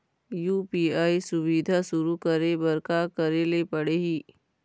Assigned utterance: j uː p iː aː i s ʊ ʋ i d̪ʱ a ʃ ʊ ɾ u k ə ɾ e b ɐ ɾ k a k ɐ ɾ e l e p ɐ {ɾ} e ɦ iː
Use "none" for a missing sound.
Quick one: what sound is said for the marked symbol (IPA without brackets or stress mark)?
ɽ